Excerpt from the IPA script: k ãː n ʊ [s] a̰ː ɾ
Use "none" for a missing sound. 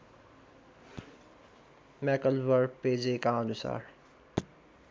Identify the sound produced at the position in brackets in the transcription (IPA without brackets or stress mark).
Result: s